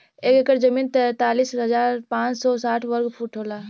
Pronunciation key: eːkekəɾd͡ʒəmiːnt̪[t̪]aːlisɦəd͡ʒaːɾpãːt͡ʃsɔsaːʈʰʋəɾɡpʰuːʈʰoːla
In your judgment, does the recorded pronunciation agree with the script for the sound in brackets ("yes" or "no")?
yes